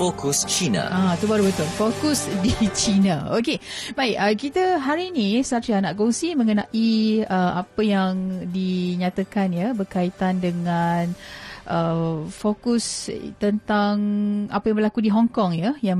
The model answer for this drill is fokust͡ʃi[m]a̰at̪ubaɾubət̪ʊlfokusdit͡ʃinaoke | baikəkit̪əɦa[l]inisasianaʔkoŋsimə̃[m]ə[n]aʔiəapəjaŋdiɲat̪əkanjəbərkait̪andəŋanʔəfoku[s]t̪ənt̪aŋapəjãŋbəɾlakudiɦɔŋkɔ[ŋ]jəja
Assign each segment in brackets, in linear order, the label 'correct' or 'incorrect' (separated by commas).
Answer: incorrect, incorrect, incorrect, correct, correct, correct